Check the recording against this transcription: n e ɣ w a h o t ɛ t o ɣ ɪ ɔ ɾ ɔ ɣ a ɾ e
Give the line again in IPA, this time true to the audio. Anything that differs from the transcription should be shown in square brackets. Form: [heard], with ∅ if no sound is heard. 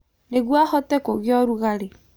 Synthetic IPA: n e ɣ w a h [ɔ] t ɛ [k] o ɣ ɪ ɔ ɾ [u] ɣ a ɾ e